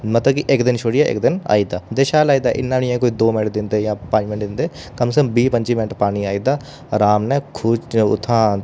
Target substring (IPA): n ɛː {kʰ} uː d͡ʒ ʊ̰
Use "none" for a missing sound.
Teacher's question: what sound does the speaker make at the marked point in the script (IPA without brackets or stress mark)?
kʰ